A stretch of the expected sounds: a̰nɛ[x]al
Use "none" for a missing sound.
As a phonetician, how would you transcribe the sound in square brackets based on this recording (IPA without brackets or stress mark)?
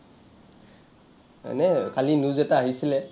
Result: k